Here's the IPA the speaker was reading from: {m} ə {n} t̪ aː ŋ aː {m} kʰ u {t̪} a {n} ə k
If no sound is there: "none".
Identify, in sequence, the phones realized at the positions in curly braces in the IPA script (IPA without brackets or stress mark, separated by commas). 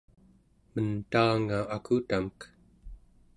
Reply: m, n, none, t̪, m